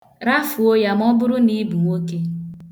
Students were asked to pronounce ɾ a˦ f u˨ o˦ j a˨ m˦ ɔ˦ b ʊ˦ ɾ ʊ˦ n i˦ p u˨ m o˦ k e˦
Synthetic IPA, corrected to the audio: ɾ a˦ f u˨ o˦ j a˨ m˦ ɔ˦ b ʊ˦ ɾ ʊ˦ n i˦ b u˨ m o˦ k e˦